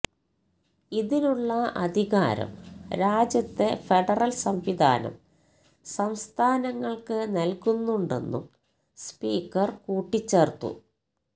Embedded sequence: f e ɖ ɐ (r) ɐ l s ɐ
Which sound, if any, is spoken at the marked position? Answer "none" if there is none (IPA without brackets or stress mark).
r